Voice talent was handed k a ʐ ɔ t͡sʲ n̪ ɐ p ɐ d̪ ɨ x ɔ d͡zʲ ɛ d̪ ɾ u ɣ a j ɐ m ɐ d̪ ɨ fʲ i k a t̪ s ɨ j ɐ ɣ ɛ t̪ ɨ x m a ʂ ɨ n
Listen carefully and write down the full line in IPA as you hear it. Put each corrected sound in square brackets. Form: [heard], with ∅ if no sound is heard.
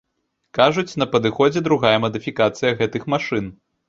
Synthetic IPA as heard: k a ʐ [u] t͡sʲ n̪ ɐ p ɐ d̪ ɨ x ɔ d͡zʲ ɛ d̪ ɾ u ɣ a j ɐ m ɐ d̪ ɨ fʲ i k a t̪ s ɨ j ɐ ɣ ɛ t̪ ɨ x m a ʂ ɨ n